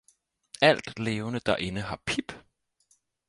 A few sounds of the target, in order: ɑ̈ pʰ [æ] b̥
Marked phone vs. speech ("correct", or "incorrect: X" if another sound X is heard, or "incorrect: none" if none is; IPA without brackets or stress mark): incorrect: i